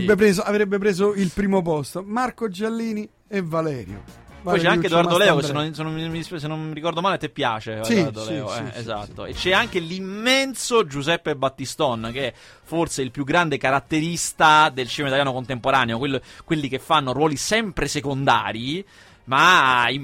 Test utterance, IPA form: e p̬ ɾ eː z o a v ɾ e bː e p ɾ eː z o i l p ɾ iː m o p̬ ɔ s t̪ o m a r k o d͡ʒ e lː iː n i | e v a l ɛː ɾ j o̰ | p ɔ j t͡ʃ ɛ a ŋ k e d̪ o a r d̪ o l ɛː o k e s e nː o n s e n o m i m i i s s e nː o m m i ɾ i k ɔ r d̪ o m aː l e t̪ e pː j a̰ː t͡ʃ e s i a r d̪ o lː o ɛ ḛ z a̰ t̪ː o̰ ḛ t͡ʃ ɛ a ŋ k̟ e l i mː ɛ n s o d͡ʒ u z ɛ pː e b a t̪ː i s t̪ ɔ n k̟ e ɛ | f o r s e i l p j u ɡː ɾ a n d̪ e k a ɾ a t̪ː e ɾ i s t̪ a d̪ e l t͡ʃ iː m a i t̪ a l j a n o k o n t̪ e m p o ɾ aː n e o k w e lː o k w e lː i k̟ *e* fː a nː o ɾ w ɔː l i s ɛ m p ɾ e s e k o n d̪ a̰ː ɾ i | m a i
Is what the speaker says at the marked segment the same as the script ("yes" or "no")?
yes